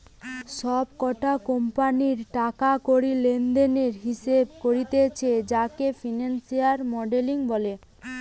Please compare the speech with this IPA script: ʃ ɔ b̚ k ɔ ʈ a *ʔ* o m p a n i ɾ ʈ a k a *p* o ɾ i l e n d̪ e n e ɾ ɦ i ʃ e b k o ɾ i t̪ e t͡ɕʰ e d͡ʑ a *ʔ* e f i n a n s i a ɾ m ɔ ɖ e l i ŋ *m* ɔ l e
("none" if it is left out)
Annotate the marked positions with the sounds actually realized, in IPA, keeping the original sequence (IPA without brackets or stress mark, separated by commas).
k, k, k, b